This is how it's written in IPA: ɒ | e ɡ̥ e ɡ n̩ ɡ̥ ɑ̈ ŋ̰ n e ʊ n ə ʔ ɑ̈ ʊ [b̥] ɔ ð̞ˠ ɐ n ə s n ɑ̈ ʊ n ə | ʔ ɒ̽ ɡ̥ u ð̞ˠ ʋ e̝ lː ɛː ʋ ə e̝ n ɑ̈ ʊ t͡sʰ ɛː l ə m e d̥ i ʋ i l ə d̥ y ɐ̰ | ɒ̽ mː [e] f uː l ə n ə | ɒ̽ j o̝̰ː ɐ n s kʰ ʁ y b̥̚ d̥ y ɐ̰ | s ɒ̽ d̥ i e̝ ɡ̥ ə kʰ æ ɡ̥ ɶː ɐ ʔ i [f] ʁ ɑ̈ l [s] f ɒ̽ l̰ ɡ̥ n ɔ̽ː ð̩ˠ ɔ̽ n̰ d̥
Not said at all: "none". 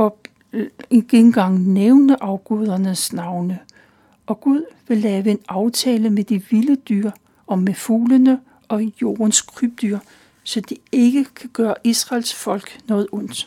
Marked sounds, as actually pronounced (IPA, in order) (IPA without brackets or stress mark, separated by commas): ɡ̥, e, s, s